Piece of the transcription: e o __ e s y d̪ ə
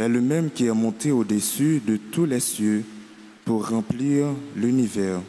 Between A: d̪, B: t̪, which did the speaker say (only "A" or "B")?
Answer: A